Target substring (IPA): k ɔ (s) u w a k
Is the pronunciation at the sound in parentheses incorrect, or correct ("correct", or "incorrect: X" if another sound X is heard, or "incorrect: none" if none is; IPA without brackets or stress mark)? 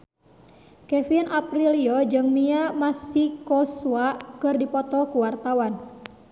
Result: correct